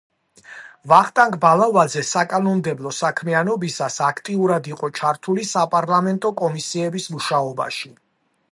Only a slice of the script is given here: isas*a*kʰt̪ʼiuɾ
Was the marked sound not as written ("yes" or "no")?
no